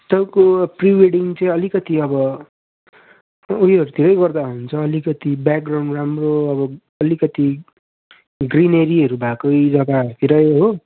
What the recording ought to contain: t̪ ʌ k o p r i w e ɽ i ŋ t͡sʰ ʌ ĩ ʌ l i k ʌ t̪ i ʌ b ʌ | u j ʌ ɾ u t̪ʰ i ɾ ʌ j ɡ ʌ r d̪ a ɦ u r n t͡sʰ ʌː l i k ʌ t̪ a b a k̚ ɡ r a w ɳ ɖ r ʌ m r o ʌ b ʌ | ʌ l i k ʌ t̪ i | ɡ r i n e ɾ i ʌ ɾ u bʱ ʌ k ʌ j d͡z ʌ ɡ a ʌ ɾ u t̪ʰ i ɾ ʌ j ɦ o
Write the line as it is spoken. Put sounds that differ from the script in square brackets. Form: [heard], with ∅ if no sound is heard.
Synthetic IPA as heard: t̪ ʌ k o p r i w e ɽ i ŋ [t͡s] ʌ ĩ ʌ l i k ʌ t̪ i ʌ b ʌ | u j ʌ ɾ u t̪ʰ i ɾ ʌ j ɡ ʌ r d̪ a ɦ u [∅] n t͡sʰ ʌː l i k ʌ t̪ [i] b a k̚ ɡ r a w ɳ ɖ r [a] m r o ʌ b ʌ | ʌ l i k ʌ t̪ i | ɡ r i n e ɾ i ʌ ɾ u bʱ [a] k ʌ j d͡z ʌ ɡ a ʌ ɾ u t̪ʰ i ɾ ʌ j ɦ o

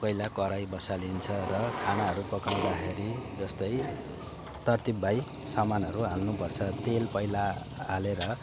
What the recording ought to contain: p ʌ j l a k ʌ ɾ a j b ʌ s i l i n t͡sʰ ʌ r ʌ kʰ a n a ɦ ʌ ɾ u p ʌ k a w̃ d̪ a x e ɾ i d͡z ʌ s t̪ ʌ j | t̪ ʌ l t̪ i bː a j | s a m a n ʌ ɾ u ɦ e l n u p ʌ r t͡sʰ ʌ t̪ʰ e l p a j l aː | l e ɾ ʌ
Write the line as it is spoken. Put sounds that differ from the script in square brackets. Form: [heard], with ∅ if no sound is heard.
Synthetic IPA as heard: p ʌ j l a k ʌ ɾ a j b ʌ s [a] l i n t͡sʰ ʌ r ʌ kʰ a n a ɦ ʌ ɾ u p ʌ k a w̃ d̪ a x e ɾ i d͡z ʌ s t̪ ʌ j | t̪ ʌ [r] t̪ i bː a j | s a m a n ʌ ɾ u ɦ [a] l n u p ʌ r t͡sʰ ʌ [t̪] e l p [ʌ] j l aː | l e ɾ ʌ

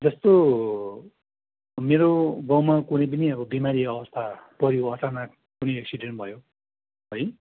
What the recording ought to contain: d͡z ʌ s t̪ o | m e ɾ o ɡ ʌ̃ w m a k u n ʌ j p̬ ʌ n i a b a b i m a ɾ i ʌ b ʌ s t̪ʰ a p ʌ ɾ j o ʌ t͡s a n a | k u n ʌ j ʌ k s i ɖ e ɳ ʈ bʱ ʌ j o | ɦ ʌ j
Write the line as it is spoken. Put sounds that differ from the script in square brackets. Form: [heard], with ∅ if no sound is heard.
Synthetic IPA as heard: d͡z ʌ s t̪ o | m e ɾ o ɡ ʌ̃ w m a k u n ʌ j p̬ ʌ n i [ʌ] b [ʌ] b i m a ɾ i ʌ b ʌ s t̪ʰ a p ʌ ɾ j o ʌ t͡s a n a | k u n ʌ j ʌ k s i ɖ e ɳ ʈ bʱ ʌ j o | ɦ ʌ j

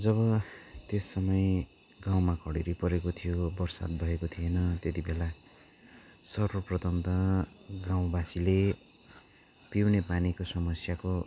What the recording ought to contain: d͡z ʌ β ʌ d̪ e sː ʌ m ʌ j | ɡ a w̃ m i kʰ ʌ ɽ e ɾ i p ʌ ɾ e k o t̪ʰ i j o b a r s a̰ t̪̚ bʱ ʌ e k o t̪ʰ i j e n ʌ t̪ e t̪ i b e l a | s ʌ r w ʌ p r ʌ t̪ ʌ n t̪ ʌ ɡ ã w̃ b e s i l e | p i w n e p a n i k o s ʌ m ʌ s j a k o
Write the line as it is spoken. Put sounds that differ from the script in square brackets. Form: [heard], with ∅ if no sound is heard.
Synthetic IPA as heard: d͡z ʌ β ʌ [t̪] e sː ʌ m ʌ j | ɡ a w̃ m [a] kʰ ʌ ɽ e ɾ i p ʌ ɾ e k o t̪ʰ i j o b [ʌ] r s a̰ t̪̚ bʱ ʌ e k o t̪ʰ i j e n ʌ t̪ e t̪ i b e l a | s ʌ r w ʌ p r ʌ t̪ ʌ n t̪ ʌ ɡ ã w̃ b [a] s i l e | p i w n e p a n i k o s ʌ m ʌ s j a k o

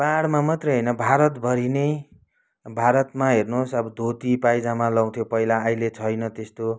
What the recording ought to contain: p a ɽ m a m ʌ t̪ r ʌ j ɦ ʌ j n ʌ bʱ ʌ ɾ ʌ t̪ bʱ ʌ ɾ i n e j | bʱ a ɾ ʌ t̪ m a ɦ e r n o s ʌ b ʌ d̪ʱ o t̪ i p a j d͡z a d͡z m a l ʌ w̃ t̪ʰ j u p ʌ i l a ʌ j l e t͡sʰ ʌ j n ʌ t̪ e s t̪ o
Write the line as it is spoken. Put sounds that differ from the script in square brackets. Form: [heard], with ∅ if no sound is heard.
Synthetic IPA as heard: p a ɽ m a m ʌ t̪ r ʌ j ɦ ʌ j n ʌ bʱ [a] ɾ ʌ t̪ bʱ ʌ ɾ i n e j | bʱ a ɾ ʌ t̪ m a ɦ e r n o s ʌ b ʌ d̪ʱ o t̪ i p a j d͡z a [∅] m a l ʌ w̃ t̪ʰ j [o] p ʌ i l a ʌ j l e t͡sʰ ʌ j n ʌ t̪ e s t̪ o

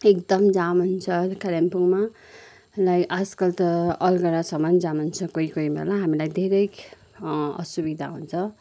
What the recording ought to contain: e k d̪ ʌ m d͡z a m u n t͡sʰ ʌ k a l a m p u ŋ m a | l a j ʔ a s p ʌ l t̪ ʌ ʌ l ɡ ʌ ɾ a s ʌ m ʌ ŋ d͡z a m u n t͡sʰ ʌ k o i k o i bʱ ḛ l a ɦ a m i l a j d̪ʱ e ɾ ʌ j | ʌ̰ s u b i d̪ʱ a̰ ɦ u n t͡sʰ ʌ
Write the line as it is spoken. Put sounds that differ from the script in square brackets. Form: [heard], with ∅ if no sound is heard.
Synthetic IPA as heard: e k d̪ ʌ m d͡z a m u n t͡sʰ ʌ k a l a m p u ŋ m a | l a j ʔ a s [k] ʌ l t̪ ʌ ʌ l ɡ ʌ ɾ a s ʌ m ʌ [n] d͡z a m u n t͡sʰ ʌ k o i k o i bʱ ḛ l a ɦ a m i l a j d̪ʱ e ɾ ʌ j | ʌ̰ s u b i d̪ʱ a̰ ɦ u n t͡sʰ ʌ

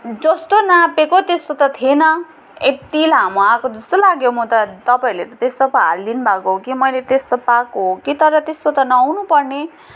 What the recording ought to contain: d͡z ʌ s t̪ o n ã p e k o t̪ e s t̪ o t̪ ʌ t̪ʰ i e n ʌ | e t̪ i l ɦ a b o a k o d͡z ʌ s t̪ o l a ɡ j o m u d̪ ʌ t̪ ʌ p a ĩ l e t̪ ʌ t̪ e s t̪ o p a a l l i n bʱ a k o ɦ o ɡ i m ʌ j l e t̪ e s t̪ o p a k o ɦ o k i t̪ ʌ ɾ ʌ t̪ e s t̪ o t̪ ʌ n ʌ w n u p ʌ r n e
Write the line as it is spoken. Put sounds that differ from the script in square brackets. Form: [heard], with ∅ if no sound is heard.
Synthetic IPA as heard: d͡z ʌ s t̪ o n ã p e k o t̪ e s t̪ o t̪ ʌ t̪ʰ i e n ʌ | e t̪ i l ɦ a [m] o a k o d͡z ʌ s t̪ o l a ɡ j o m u [t̪] ʌ t̪ ʌ p a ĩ l e t̪ ʌ t̪ e s t̪ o p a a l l i n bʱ a k o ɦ o [k] i m ʌ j l e t̪ e s t̪ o p a k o ɦ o k i t̪ ʌ ɾ ʌ t̪ e s t̪ o t̪ ʌ n ʌ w n u p ʌ r n e

